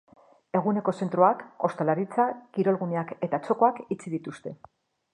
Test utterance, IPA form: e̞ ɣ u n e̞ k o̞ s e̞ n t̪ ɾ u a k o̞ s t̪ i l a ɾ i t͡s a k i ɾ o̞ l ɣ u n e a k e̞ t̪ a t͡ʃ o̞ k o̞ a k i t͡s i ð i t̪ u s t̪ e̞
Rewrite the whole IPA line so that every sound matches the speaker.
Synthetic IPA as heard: e̞ ɣ u n e̞ k o̞ s e̞ n t̪ ɾ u a k o̞ s t̪ a l a ɾ i t͡s a k i ɾ o̞ l ɣ u n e a k e̞ t̪ a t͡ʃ o̞ k o̞ a k i t͡s i ð i t̪ u s t̪ e̞